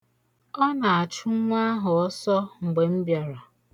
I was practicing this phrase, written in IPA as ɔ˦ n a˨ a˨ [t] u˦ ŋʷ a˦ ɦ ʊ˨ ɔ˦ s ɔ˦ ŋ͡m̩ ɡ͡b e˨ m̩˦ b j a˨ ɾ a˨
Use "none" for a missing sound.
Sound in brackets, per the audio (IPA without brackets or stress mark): t͡ʃ